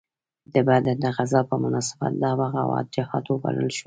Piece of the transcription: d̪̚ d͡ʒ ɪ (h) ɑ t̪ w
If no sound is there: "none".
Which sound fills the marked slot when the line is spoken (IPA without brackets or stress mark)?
h